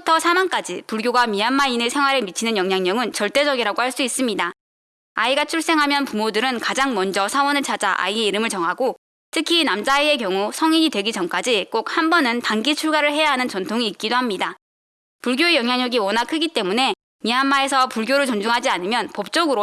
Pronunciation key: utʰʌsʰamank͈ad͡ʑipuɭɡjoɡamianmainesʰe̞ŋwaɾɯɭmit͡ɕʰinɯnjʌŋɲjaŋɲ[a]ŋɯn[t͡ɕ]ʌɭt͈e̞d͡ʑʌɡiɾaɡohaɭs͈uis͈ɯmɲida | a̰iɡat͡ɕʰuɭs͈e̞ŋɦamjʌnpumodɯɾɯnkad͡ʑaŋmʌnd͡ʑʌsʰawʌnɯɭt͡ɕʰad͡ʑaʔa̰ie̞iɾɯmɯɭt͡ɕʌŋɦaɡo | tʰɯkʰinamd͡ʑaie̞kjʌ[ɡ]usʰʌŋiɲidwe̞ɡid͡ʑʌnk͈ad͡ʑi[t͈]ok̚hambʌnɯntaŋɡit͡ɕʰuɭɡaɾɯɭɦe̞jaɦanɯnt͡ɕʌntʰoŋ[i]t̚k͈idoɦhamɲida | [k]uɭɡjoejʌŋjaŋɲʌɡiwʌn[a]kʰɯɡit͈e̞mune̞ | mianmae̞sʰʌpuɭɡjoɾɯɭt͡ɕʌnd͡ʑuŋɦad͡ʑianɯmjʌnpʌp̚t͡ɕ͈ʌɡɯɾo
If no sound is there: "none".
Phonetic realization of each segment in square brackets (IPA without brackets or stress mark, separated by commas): ʌ, t͡ɕ, ŋ, k͈, iː, p, a